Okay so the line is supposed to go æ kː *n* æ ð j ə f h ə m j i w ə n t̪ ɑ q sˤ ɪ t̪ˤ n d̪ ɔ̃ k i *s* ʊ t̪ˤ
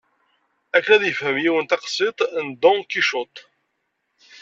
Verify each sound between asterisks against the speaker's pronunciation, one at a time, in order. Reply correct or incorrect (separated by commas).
correct, incorrect